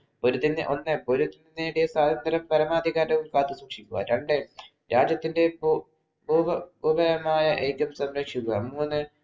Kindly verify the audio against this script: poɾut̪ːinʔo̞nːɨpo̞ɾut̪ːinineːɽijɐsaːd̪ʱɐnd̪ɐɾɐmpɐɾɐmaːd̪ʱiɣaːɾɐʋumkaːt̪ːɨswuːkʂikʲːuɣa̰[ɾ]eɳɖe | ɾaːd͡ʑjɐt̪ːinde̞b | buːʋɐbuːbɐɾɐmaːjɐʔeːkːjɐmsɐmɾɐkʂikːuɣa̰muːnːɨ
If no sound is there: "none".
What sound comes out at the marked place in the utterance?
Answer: ɾ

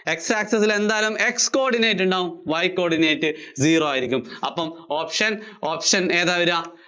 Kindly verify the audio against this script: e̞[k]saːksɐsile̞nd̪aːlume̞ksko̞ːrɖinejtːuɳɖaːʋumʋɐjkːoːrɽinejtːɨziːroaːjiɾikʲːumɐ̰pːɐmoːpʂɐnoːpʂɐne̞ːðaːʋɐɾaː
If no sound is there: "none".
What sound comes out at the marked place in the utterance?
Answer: k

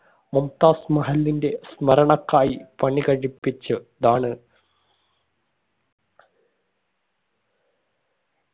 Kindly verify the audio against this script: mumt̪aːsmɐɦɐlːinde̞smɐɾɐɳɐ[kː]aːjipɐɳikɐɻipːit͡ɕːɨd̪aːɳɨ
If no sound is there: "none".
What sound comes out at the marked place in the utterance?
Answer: kː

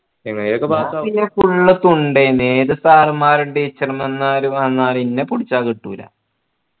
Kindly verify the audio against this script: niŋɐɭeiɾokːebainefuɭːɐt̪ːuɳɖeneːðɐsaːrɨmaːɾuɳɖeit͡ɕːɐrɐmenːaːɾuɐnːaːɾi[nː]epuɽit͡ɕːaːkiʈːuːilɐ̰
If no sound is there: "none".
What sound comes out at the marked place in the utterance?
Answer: nː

